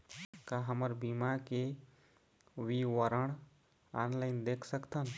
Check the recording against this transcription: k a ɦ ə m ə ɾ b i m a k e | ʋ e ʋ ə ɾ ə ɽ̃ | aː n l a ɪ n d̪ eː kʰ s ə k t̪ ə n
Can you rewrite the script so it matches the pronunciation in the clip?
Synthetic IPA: k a ɦ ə m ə ɾ b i m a k e | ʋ i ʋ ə ɾ ə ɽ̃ | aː n l a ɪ n d̪ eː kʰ s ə k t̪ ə n